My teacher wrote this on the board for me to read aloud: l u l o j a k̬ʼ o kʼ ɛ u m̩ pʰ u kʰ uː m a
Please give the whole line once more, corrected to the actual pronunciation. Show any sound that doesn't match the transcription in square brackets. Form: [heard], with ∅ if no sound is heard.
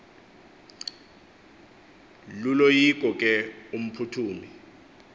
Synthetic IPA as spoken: l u l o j [i] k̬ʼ [ɔ] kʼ ɛ u m̩ pʰ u [tʰ] uː m [i]